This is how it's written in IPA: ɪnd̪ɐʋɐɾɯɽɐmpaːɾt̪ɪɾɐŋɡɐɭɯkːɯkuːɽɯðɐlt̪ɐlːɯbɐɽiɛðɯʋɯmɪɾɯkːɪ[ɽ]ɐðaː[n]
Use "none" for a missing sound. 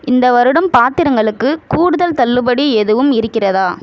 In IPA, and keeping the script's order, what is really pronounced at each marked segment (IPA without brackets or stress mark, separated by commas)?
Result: r, none